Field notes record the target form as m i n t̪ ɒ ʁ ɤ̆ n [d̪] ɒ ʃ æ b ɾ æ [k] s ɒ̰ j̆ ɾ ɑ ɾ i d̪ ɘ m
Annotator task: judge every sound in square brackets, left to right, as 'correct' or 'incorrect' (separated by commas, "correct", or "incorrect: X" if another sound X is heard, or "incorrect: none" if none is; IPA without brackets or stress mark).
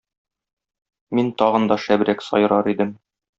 correct, correct